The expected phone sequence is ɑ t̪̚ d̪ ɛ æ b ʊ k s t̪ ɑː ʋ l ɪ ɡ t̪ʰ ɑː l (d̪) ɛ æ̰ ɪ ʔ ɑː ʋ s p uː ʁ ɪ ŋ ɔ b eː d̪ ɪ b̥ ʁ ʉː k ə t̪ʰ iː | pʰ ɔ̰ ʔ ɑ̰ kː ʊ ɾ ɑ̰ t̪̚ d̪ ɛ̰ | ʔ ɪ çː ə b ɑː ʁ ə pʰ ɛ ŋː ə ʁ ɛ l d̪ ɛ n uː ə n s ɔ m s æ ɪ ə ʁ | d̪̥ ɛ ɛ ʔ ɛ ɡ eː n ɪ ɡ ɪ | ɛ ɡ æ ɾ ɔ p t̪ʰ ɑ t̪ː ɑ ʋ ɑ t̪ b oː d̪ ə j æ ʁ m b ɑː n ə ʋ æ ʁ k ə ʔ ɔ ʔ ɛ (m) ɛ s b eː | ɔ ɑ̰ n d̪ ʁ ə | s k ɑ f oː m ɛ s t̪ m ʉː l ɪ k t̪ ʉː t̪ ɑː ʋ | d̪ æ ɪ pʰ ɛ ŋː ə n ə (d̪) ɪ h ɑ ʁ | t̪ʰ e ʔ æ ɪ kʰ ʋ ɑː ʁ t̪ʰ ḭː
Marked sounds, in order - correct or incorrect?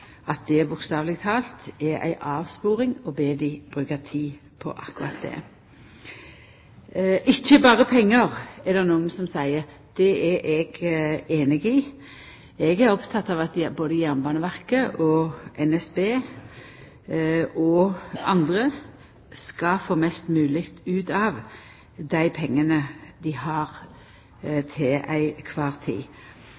incorrect, incorrect, correct

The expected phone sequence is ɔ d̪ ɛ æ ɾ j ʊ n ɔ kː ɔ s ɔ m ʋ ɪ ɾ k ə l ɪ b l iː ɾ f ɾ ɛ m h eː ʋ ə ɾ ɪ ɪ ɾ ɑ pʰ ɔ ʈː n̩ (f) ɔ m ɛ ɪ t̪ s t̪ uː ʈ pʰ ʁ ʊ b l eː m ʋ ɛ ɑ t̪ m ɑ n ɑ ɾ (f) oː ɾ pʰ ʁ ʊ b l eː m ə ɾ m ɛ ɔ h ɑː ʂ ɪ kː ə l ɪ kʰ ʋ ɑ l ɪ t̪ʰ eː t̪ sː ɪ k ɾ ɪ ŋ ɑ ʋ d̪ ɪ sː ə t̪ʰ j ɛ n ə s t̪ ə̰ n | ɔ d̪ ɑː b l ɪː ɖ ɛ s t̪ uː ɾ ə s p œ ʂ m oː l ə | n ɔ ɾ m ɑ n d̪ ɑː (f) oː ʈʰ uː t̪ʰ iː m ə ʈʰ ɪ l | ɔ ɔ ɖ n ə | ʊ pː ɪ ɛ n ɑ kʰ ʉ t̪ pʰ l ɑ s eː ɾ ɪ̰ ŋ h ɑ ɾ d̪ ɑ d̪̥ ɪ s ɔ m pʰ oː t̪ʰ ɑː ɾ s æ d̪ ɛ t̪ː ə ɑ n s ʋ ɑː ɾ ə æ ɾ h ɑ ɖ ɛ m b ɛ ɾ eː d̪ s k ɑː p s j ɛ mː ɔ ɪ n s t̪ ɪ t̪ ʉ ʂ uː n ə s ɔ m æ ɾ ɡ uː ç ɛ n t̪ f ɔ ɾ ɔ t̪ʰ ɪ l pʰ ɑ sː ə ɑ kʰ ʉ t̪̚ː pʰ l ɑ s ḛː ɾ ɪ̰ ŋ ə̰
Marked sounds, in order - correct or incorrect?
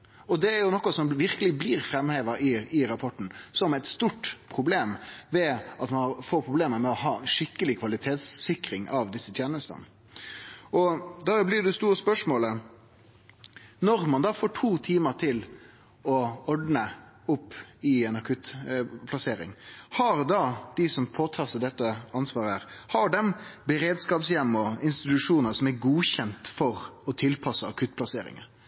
incorrect, correct, correct

